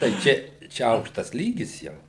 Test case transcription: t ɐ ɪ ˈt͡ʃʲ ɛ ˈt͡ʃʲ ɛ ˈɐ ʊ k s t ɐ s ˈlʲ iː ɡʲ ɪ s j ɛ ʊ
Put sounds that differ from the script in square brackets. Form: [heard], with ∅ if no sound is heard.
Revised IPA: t ɐ ɪ ˈt͡ʃʲ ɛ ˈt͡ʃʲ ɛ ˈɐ ʊ k [ʃ] t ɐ s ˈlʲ iː ɡʲ ɪ s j ɛ ʊ

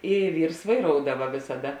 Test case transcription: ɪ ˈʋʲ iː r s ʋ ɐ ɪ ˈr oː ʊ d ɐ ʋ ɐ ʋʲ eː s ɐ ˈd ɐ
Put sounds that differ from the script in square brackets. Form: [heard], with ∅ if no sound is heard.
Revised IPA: ɪ ˈʋʲ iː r s ʋ ɐ ɪ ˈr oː ʊ d ɐ ʋ ɐ ʋʲ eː s ɐ ˈd ɐ

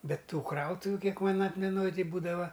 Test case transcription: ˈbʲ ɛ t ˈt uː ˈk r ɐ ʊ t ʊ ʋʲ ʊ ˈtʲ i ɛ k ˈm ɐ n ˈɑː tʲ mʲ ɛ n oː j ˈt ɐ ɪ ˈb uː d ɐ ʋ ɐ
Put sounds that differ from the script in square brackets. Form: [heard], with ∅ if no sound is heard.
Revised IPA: ˈbʲ ɛ t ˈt uː ˈk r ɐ ʊ t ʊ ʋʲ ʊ [ˈkʲ] i ɛ k ˈm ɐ n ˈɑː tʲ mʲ ɛ n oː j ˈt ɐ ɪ ˈb uː d ɐ ʋ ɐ

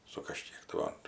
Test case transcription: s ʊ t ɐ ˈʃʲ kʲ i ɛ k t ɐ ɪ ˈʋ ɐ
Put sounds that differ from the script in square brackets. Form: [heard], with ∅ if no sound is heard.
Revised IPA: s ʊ [k] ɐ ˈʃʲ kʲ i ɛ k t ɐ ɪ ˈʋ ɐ

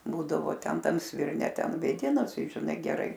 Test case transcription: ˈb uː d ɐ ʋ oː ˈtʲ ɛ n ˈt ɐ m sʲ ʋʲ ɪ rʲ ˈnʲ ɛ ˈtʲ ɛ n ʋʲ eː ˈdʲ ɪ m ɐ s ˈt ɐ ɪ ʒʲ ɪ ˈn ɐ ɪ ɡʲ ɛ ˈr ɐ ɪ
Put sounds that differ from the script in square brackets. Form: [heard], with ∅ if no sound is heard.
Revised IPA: ˈb uː d ɐ ʋ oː ˈtʲ ɛ n ˈt ɐ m sʲ ʋʲ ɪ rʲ ˈnʲ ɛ ˈtʲ ɛ n ʋʲ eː ˈdʲ ɪ [n] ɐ s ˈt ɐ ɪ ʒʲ ɪ ˈn ɐ ɪ ɡʲ ɛ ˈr ɐ ɪ

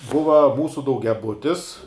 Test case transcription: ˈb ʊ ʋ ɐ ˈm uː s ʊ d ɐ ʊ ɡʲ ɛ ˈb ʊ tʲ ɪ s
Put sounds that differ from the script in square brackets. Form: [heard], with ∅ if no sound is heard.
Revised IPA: ˈb ʊ ʋ ɐ ˈm uː s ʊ d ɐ ʊ ɡʲ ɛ ˈb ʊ tʲ ɪ s

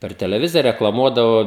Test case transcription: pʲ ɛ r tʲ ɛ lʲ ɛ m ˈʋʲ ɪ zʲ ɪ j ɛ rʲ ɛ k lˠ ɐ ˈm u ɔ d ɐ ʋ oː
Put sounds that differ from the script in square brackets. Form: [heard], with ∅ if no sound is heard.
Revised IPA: pʲ ɛ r tʲ ɛ lʲ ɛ [∅] ˈʋʲ ɪ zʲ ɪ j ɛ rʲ ɛ k lˠ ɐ ˈm u ɔ d ɐ ʋ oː

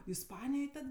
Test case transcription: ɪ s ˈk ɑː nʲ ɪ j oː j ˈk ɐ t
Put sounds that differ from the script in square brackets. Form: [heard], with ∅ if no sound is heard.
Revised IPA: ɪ s [ˈp] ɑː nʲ ɪ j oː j [ˈt] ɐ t

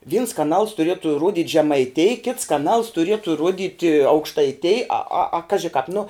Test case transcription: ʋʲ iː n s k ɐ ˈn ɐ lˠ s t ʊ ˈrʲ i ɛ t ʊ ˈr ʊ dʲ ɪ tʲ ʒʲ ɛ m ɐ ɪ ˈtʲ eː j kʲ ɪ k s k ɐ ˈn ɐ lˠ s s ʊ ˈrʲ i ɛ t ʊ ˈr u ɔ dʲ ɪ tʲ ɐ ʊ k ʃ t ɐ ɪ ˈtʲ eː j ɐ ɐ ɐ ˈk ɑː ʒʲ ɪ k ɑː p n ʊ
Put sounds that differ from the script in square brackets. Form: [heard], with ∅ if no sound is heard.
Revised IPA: ʋʲ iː n s k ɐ ˈn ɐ lˠ s t ʊ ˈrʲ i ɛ t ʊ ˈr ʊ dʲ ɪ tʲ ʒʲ ɛ m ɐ ɪ ˈtʲ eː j kʲ ɪ [t] s k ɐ ˈn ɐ lˠ s [t] ʊ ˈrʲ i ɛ t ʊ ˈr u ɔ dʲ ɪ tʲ ɐ ʊ k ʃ t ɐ ɪ ˈtʲ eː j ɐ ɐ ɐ ˈk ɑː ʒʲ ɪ k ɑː p n ʊ

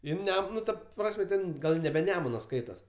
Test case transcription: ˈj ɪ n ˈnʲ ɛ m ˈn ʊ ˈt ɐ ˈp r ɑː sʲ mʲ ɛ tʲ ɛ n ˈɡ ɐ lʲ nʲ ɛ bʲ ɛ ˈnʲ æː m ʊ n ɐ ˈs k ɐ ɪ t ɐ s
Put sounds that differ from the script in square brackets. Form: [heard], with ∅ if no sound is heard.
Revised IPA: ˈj ɪ n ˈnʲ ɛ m ˈn ʊ ˈt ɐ ˈp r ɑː sʲ mʲ ɛ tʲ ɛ n ˈɡ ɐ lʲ nʲ ɛ bʲ ɛ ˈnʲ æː m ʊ n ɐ ˈs k ɐ ɪ t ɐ s

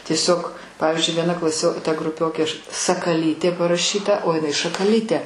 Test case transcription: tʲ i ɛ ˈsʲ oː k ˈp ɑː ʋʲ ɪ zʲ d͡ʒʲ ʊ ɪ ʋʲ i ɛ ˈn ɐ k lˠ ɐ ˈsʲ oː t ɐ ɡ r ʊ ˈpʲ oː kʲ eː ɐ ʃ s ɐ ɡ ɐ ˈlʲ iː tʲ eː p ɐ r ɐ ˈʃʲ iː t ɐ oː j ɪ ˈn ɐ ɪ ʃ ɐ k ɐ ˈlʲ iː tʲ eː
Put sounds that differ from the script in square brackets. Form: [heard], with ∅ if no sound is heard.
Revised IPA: tʲ i ɛ ˈsʲ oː k ˈp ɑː ʋʲ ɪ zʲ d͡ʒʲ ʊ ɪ ʋʲ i ɛ ˈn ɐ k lˠ ɐ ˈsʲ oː t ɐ ɡ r ʊ ˈpʲ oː kʲ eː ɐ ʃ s ɐ [k] ɐ ˈlʲ iː tʲ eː p ɐ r ɐ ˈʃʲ iː t ɐ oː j ɪ ˈn ɐ ɪ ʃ ɐ k ɐ ˈlʲ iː tʲ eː

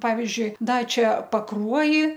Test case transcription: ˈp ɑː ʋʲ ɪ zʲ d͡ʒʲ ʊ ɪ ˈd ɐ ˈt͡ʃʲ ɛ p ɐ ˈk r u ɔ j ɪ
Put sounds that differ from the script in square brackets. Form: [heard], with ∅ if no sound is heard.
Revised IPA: ˈp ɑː ʋʲ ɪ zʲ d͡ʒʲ ʊ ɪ ˈd ɐ ˈt͡ʃʲ ɛ p ɐ ˈk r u ɔ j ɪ

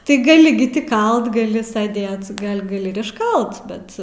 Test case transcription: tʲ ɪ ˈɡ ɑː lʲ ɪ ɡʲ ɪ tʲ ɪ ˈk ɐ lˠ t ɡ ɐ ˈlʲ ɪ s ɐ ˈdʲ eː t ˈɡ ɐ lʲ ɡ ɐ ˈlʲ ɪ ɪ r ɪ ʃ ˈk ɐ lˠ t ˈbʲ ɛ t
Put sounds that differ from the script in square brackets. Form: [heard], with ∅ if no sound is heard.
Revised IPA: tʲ ɪ ˈɡ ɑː lʲ ɪ ɡʲ ɪ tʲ ɪ ˈk ɐ lˠ t ɡ ɐ ˈlʲ ɪ s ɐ ˈdʲ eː t ˈɡ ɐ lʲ ɡ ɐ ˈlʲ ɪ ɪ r ɪ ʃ ˈk ɐ lˠ t ˈbʲ ɛ t

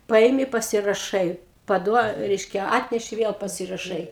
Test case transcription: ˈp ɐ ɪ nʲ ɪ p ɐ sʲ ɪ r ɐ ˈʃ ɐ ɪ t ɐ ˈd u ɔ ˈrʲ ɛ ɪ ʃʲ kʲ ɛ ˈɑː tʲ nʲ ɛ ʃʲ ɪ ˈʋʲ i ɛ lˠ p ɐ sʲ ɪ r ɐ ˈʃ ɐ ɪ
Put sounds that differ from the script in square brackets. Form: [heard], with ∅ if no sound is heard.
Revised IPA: ˈp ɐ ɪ [mʲ] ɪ p ɐ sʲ ɪ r ɐ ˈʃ ɐ ɪ [p] ɐ ˈd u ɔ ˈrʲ ɛ ɪ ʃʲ kʲ ɛ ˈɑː tʲ nʲ ɛ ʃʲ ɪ ˈʋʲ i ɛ lˠ p ɐ sʲ ɪ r ɐ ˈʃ ɐ ɪ

